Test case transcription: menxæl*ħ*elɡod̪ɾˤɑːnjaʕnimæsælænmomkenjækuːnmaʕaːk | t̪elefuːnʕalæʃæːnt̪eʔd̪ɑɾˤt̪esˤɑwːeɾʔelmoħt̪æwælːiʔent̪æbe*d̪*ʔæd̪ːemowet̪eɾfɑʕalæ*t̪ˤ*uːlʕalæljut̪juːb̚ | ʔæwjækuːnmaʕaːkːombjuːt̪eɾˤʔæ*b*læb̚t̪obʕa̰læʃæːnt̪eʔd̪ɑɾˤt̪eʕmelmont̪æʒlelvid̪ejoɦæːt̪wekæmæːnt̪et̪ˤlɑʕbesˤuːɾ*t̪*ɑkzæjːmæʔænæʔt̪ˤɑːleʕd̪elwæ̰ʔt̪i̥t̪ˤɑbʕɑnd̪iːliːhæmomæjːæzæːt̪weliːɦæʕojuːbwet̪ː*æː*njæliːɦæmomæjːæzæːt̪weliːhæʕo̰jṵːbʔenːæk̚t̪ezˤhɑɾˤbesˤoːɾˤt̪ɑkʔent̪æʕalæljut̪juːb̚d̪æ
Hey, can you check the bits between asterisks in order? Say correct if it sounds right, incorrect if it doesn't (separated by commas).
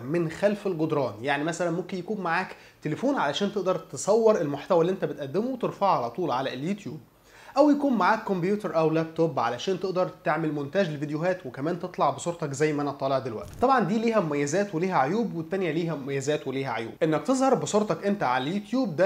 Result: incorrect, incorrect, correct, incorrect, correct, incorrect